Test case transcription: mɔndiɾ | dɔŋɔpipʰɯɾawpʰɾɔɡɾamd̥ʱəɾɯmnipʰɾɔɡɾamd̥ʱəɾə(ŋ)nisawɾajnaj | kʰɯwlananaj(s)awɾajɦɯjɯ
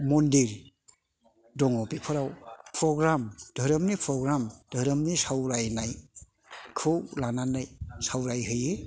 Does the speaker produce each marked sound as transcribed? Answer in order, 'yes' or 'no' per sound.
no, yes

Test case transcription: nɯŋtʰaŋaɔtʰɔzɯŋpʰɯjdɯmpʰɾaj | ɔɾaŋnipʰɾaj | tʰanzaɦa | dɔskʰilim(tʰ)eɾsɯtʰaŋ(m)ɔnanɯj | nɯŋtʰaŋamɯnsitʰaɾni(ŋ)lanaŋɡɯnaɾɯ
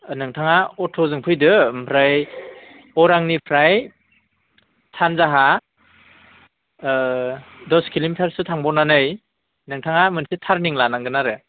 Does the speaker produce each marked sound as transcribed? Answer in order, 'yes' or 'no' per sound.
no, no, yes

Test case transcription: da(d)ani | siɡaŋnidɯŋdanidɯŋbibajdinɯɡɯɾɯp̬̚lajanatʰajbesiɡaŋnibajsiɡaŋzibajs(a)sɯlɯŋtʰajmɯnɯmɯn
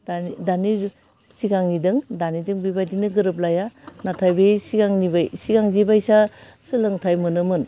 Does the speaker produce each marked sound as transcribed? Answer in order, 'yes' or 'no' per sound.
yes, yes

